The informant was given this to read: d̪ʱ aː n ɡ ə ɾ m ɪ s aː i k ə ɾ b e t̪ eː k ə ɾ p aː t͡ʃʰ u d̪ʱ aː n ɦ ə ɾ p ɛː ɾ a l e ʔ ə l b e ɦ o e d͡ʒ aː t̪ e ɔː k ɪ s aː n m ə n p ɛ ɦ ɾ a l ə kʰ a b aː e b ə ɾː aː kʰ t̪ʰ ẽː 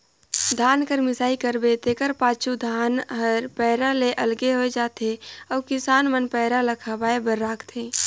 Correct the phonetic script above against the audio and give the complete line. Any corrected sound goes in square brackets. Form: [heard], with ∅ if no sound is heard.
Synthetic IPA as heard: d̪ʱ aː n [k] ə ɾ m ɪ s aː i k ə ɾ b e t̪ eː k ə ɾ p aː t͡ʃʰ u d̪ʱ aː n ɦ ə ɾ p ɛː ɾ a l e ʔ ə l [ɡ] e ɦ o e d͡ʒ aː t̪ e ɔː k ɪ s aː n m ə n p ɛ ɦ ɾ a l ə kʰ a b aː e b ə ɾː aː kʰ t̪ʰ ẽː